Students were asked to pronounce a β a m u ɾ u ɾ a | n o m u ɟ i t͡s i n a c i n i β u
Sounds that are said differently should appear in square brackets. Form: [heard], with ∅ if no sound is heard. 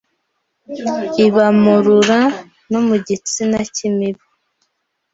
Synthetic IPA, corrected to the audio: [i] β a m u ɾ u ɾ a | n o m u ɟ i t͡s i n a c i [m] i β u